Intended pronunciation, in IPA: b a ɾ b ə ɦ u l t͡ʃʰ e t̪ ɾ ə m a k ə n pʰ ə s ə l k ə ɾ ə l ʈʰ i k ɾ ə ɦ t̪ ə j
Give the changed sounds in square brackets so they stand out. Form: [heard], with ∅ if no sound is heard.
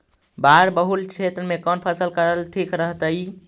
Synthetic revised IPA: b a ɾ b ə ɦ u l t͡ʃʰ e t̪ ɾ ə m [e] k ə n pʰ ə s ə l k ə ɾ ə l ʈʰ i k ɾ ə ɦ t̪ ə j